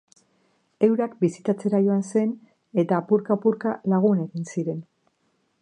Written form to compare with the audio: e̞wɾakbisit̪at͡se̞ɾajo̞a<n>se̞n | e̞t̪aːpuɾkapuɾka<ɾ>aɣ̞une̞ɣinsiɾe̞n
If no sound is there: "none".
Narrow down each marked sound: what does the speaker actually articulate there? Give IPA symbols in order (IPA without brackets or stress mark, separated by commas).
n, l